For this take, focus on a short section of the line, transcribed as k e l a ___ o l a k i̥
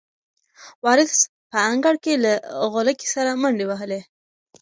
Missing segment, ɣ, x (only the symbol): ɣ